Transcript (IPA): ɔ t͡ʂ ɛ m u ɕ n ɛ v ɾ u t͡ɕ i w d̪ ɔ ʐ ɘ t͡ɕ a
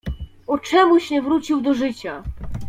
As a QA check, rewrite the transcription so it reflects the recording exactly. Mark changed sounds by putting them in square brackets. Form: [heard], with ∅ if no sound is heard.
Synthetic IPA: ɔ t͡ʂ ɛ m u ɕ [ɲ] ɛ v ɾ u t͡ɕ i w d̪ ɔ ʐ ɘ t͡ɕ a